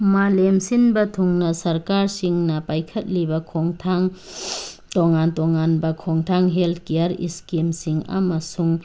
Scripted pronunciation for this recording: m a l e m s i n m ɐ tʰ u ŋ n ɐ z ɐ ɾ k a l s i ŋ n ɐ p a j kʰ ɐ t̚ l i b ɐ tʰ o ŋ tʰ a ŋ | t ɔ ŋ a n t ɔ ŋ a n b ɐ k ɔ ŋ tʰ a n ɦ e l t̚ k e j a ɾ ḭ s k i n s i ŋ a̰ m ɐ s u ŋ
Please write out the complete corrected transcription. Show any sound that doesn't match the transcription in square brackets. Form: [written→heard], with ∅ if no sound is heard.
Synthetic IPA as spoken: m a l e m s i n [m→b] ɐ tʰ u ŋ n ɐ [z→s] ɐ ɾ k a [l→ɾ] s i ŋ n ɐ p a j kʰ ɐ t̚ l i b ɐ [tʰ→kʰ] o ŋ tʰ a ŋ | t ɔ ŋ a n t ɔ ŋ a n b ɐ [k→kʰ] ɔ ŋ tʰ a [n→ŋ] ɦ e l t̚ k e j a ɾ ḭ s k i [n→m] s i ŋ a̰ m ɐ s u ŋ